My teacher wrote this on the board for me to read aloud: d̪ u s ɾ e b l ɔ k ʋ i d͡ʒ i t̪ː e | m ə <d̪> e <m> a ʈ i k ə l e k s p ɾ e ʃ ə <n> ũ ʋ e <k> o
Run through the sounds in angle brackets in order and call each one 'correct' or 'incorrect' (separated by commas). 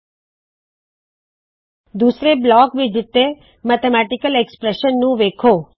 incorrect, correct, incorrect, incorrect